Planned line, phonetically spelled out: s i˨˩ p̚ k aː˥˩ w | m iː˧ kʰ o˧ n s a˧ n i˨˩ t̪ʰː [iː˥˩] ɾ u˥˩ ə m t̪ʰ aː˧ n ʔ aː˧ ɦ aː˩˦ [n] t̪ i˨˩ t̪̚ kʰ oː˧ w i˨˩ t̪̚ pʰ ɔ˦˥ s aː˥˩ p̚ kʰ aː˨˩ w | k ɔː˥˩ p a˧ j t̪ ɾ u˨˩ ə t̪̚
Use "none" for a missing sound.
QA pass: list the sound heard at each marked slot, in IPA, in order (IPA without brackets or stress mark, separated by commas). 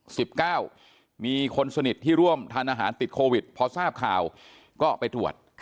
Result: iː˥˩, n